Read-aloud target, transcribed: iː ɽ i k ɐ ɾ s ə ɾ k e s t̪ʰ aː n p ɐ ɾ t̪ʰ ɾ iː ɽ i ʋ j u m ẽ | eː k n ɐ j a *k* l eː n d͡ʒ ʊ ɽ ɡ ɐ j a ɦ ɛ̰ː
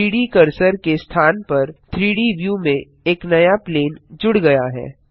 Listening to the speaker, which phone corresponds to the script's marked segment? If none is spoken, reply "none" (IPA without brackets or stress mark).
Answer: p